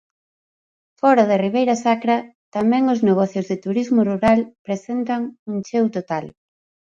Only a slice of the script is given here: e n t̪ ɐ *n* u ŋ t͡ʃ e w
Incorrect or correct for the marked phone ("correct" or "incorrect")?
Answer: incorrect